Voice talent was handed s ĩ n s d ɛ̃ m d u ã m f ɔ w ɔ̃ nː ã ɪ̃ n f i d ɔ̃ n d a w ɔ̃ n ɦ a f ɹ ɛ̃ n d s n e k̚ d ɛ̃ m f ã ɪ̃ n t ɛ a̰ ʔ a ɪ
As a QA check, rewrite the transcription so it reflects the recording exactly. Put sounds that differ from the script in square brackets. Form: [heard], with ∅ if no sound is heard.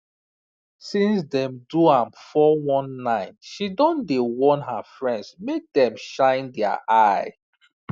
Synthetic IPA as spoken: s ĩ n s d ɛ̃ m d u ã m f ɔ w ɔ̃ nː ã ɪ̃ n [ʃ] i d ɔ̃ n d [e] w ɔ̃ n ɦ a f ɹ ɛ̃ n d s [m] e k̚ d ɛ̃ m [ʃ] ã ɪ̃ n [d] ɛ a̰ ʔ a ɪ